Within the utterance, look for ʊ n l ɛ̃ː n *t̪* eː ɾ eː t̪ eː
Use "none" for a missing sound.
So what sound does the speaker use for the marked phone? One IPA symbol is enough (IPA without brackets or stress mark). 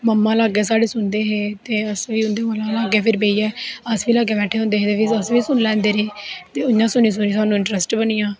d̪